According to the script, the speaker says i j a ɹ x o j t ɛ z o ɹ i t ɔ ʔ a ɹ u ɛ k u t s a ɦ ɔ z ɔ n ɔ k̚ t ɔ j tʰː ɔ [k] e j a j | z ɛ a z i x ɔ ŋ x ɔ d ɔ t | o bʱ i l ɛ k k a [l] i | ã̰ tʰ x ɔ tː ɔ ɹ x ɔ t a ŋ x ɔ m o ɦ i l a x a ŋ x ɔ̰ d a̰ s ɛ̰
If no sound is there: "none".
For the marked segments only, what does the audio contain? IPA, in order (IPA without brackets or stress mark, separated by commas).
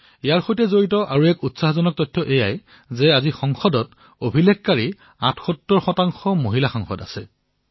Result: ʔ, ɹ